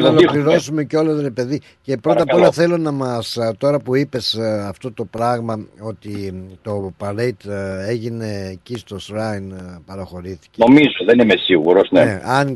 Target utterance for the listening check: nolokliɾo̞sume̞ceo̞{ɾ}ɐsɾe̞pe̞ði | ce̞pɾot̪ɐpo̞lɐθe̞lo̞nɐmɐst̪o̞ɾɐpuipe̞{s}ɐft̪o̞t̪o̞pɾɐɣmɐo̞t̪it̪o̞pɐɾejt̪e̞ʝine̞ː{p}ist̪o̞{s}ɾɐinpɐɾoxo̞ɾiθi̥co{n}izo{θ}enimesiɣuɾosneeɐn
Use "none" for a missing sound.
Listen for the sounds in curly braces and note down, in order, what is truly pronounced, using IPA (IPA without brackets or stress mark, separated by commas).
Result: l, s, c, s, m, ð